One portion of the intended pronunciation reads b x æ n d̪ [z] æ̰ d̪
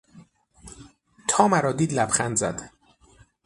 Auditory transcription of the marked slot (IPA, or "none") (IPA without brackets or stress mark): z